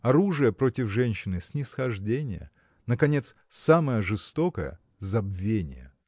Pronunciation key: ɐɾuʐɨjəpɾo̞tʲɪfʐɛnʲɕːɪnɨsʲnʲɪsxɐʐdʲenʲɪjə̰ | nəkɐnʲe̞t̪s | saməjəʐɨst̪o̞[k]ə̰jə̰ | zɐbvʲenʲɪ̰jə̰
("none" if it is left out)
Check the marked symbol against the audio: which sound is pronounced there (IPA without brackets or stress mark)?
k